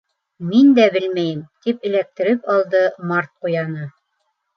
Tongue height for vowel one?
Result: high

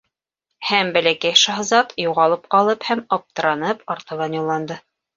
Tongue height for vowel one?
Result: low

